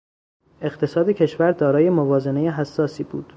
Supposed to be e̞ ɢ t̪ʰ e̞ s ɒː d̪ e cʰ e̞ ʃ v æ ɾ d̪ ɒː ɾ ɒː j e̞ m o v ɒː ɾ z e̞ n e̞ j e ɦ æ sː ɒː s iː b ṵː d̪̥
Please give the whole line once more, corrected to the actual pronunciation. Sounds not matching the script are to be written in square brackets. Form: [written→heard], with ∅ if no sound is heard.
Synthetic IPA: e̞ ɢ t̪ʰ e̞ s ɒː d̪ e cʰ e̞ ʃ v æ ɾ d̪ ɒː ɾ ɒː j e̞ m o v ɒː [ɾ→∅] z e̞ n e̞ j e ɦ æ sː ɒː s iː b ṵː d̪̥